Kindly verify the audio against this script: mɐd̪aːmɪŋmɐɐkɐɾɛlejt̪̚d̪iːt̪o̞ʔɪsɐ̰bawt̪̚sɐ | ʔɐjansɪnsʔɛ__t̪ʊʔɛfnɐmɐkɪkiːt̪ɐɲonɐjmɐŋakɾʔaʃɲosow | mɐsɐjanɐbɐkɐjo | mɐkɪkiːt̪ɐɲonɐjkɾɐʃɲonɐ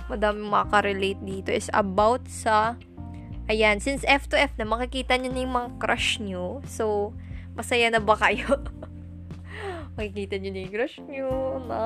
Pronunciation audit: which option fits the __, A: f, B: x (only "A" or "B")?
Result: A